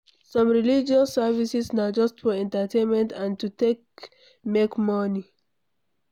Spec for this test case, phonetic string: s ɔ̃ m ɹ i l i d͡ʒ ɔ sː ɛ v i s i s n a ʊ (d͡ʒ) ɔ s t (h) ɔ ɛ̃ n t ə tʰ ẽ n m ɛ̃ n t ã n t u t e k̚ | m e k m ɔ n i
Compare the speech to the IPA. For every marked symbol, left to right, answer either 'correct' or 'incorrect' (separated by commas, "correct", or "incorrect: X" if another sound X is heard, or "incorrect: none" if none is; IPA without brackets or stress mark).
correct, incorrect: f